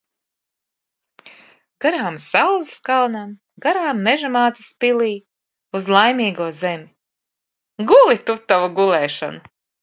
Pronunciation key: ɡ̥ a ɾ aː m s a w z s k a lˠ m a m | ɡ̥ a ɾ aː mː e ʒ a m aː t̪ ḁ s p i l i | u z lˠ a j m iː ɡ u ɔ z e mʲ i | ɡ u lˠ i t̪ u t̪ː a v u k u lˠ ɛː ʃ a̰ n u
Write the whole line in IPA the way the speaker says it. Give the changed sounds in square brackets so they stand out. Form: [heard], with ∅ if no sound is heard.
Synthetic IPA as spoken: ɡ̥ a ɾ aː m s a w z s k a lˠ [n] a m | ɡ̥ a ɾ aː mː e ʒ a m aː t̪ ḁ s p i l [iː] | u z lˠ a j m iː ɡ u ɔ z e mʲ i | ɡ u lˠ i t̪ u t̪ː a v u [ɡ] u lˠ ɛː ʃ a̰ n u